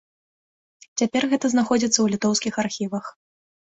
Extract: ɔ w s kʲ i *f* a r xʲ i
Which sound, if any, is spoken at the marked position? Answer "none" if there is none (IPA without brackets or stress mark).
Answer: x